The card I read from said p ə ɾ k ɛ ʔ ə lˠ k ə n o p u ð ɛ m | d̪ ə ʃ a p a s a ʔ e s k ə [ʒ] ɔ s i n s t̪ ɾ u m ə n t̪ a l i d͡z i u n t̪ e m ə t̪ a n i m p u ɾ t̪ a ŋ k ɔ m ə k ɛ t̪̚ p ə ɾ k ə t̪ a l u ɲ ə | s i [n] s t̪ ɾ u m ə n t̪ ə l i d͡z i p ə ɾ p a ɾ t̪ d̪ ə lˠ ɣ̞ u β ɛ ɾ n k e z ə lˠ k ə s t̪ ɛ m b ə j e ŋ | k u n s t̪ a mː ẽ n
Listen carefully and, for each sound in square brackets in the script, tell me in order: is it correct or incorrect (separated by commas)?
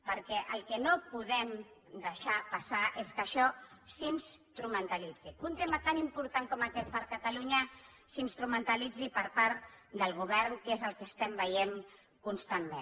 incorrect, correct